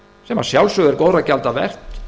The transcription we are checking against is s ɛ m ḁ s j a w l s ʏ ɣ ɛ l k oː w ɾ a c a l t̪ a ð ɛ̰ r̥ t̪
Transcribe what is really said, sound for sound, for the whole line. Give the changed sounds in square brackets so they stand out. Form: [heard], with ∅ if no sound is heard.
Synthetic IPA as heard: s ɛ m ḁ s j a w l s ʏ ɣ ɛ [ɾ] k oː w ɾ a c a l t̪ a [v] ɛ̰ r̥ t̪